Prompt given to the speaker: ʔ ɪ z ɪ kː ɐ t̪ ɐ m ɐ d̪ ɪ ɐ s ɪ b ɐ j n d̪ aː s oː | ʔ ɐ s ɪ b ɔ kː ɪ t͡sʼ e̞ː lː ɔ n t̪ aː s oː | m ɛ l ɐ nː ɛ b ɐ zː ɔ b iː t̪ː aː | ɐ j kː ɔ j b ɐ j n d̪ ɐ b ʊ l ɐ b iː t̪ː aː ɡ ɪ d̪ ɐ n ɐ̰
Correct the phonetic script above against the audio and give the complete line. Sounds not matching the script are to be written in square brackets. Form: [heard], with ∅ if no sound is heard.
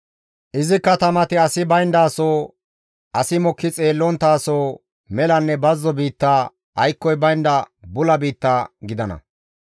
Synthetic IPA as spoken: ʔ ɪ z ɪ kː ɐ t̪ ɐ m ɐ [t̪] ɪ ɐ s ɪ b ɐ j n d̪ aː s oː | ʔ ɐ s ɪ [m] ɔ kː ɪ t͡sʼ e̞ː lː ɔ n t̪ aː s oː | m ɛ l ɐ nː ɛ b ɐ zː ɔ b iː t̪ː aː | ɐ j kː ɔ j b ɐ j n d̪ ɐ b ʊ l ɐ b iː t̪ː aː ɡ ɪ d̪ ɐ n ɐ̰